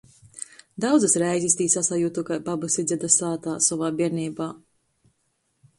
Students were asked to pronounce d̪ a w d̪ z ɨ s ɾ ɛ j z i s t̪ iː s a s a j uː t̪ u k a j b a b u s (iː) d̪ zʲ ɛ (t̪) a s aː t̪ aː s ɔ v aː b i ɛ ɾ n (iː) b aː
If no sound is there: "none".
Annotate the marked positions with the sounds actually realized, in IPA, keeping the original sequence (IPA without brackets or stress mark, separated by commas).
i, d̪, iː